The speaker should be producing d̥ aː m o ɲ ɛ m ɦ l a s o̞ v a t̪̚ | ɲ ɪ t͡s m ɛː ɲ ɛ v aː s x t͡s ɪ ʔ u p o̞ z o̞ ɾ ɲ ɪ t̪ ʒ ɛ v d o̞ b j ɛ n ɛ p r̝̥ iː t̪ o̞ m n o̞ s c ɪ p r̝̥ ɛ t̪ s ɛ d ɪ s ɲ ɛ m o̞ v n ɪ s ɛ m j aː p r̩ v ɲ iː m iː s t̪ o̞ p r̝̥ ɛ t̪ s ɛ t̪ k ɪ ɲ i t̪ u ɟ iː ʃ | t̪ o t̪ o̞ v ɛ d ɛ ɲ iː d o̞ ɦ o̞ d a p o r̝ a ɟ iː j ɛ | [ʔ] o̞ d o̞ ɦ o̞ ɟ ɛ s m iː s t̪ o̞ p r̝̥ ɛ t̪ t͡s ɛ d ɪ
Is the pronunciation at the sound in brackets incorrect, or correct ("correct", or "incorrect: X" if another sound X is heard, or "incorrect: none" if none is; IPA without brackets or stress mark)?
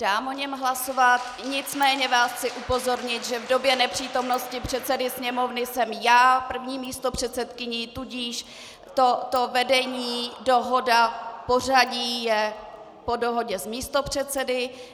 incorrect: p